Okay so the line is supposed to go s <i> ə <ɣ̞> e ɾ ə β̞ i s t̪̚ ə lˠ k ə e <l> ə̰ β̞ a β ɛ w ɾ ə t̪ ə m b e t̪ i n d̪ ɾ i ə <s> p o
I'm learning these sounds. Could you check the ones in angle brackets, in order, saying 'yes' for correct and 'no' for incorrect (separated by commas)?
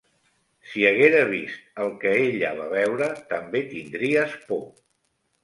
yes, yes, no, yes